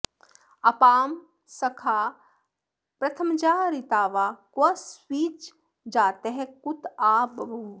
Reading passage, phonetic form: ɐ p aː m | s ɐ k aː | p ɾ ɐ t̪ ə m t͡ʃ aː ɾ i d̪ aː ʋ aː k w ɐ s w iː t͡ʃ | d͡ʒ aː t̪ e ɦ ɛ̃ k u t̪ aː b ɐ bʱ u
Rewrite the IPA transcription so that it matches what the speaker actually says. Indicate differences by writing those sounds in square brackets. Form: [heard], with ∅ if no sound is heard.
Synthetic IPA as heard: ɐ p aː m | s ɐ [kʰ] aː | p ɾ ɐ [t̪ʰ] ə m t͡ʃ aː ɾ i [t̪] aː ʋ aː k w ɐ s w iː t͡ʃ | d͡ʒ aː t̪ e ɦ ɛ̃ k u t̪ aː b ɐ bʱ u